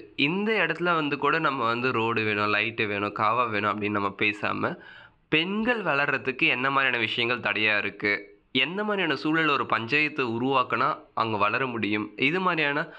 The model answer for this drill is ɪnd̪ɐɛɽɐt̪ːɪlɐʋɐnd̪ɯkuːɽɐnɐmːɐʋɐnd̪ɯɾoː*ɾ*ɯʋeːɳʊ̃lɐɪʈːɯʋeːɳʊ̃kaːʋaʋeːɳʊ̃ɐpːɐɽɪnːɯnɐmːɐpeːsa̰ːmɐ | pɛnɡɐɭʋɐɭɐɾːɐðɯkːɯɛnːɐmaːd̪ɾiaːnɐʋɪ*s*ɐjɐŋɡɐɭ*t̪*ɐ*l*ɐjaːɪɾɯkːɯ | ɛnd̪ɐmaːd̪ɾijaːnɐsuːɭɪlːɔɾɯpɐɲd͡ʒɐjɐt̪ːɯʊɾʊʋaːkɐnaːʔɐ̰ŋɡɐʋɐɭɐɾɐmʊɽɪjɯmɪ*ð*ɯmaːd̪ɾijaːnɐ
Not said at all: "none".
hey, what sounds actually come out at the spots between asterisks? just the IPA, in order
ɽ, ʂ, t̪, ɽ, ð

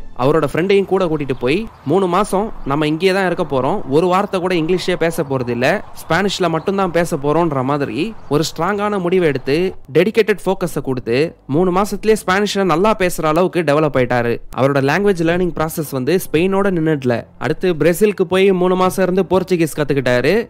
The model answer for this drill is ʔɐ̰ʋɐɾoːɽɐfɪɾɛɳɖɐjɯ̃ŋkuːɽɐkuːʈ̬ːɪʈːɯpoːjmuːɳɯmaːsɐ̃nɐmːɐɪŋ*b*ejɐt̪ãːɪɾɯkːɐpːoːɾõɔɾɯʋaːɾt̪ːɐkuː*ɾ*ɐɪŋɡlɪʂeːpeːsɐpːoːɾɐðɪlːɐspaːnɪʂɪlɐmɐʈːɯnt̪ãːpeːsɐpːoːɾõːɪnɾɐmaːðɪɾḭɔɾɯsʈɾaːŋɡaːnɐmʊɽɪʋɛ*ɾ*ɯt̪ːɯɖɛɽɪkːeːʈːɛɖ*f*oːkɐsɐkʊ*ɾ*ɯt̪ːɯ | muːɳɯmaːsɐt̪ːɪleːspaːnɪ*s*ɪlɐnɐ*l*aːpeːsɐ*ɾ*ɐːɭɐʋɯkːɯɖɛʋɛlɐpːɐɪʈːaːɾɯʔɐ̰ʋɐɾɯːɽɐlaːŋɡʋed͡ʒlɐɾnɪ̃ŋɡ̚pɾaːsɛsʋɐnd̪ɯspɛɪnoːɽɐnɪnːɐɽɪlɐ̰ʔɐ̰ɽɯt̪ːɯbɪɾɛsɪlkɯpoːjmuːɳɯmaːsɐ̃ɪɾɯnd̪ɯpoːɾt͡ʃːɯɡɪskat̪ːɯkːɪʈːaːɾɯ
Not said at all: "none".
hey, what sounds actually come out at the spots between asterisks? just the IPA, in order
ɡ, ɽ, ɽ, f, ɽ, ʂ, lː, ɾ

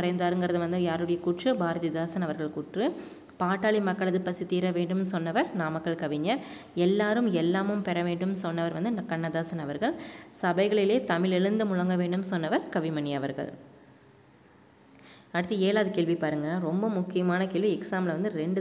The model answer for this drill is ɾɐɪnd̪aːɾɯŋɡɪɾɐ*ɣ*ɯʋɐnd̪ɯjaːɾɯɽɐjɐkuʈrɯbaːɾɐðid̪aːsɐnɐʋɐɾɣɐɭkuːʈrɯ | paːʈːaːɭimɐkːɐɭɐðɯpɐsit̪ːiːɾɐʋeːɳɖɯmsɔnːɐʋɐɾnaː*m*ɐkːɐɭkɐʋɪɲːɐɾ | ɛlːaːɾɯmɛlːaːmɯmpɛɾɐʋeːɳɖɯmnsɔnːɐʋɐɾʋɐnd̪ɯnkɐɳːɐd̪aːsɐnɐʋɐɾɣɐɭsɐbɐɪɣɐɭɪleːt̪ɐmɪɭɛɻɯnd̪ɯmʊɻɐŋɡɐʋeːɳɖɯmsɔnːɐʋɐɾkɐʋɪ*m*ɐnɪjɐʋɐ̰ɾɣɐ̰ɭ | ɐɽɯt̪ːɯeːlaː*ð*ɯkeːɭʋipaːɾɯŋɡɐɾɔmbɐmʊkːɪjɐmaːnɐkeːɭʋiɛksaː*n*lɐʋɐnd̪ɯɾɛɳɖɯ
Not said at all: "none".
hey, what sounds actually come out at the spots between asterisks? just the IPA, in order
ð, m, m, ð, m

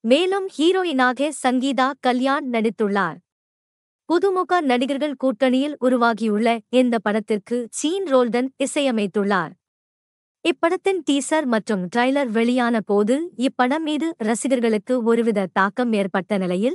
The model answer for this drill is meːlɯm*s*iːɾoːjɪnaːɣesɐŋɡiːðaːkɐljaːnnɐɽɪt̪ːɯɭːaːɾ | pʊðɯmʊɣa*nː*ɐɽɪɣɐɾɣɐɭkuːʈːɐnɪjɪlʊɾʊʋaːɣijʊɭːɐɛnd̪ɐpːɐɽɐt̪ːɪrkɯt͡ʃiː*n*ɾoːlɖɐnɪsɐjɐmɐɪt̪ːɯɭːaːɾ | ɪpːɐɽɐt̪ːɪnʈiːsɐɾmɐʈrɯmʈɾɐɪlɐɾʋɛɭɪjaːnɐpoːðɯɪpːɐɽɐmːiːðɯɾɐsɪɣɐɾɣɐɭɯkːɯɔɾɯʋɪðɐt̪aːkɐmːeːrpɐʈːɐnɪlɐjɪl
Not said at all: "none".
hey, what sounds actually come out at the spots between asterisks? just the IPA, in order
h, n, n

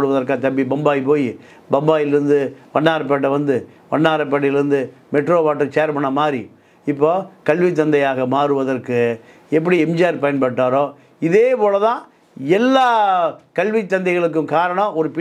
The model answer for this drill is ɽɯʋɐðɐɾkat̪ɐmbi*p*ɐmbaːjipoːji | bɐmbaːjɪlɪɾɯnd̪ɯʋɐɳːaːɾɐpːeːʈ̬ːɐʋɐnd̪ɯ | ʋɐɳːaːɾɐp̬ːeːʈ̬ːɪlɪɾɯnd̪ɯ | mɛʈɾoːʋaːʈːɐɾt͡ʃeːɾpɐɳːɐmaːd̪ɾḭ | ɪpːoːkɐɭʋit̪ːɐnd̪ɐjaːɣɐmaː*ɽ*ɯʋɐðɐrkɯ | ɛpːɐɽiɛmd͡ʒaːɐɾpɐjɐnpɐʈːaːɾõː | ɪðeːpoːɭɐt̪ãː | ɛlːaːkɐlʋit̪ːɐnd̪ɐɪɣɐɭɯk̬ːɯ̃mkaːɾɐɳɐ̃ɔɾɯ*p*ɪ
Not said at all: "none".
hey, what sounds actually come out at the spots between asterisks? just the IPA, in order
b, ɾ, p

